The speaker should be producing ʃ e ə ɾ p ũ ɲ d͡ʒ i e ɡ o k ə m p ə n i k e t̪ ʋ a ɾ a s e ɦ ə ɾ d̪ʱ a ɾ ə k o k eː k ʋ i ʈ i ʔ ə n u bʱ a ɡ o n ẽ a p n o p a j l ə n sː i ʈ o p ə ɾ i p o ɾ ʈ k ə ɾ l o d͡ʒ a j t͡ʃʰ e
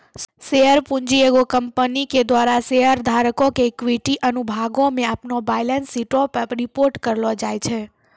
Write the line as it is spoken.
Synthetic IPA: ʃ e ə ɾ p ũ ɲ d͡ʒ i e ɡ o k ə m p ə n i k e d̪ ʋ a ɾ a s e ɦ ə ɾ d̪ʱ a ɾ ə k o k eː k ʋ i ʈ i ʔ ə n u bʱ a ɡ o m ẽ a p n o b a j l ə n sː i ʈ o p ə ɾ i p o ɾ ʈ k ə ɾ l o d͡ʒ a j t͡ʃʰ e